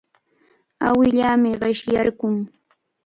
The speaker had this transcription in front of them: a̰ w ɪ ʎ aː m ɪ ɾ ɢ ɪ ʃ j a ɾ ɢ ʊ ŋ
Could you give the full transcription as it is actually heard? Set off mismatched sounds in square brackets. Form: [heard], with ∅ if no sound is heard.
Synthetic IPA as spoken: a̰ w ɪ ʎ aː m ɪ [∅] ɢ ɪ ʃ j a ɾ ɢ ʊ ŋ

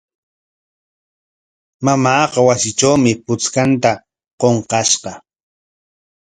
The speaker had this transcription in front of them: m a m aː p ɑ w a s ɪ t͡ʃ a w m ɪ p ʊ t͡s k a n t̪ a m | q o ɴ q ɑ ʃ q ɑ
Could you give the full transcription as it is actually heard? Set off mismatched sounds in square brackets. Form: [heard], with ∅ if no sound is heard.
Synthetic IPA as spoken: m a m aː [q] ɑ w a s ɪ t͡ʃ a w m ɪ p ʊ t͡s k a n t̪ a [∅] | q o ɴ q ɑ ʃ q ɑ

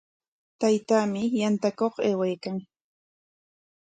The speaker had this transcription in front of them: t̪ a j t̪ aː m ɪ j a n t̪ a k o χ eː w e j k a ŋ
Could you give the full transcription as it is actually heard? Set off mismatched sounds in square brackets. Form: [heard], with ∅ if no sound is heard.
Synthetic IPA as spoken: t̪ a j t̪ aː m ɪ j a n t̪ a k o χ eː w [a] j k a ŋ

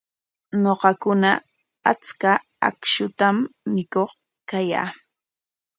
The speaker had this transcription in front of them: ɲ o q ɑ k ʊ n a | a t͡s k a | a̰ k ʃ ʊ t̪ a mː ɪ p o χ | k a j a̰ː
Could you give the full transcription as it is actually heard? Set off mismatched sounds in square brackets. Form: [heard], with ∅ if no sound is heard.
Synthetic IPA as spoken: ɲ o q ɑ k ʊ n a | a t͡s k a | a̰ k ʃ ʊ t̪ a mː ɪ [k] o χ | k a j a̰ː

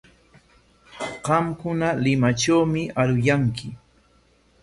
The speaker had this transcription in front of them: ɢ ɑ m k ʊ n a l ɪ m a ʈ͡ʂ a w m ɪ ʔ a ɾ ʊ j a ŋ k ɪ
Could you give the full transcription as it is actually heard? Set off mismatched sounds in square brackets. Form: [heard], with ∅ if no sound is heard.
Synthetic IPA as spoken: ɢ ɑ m k ʊ n a l ɪ m a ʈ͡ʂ a w m ɪ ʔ a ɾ ʊ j a ŋ k ɪ

